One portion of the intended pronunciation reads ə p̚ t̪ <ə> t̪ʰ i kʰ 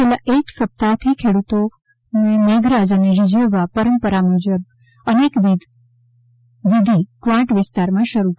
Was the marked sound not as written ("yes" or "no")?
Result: yes